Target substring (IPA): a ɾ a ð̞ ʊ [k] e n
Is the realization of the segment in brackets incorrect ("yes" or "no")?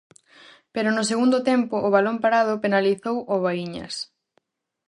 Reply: yes